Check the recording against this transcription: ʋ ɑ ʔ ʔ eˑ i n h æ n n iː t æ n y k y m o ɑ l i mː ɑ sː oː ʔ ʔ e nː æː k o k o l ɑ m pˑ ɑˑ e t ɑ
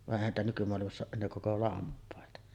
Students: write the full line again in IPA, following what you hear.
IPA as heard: ʋ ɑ ʔ ʔ eˑ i h æ n n iː t æ n y k y m o ɑ l i m ɑ sː oː ʔ ʔ e nː eː k o k o l ɑ m pˑ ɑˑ e t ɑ